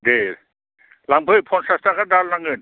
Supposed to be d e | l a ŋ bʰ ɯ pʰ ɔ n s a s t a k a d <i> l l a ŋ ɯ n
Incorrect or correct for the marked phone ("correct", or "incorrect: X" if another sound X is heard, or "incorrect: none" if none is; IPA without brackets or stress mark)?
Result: incorrect: a